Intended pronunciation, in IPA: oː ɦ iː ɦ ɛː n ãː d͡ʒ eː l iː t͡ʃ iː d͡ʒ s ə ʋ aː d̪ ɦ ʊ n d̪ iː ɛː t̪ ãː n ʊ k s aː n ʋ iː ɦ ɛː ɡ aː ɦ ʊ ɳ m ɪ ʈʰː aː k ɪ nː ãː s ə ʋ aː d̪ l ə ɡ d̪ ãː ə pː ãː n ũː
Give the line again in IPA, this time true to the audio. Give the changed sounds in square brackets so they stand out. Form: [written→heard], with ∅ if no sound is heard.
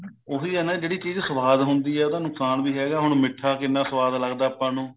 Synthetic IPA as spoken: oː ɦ iː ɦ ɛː n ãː d͡ʒ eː [l→ɽ] iː t͡ʃ iː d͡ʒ s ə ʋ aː d̪ ɦ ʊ n d̪ iː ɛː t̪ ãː n ʊ k s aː n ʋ iː ɦ ɛː ɡ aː ɦ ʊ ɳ m ɪ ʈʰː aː k ɪ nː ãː s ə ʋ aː d̪ l ə ɡ d̪ [ãː→aː] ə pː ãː n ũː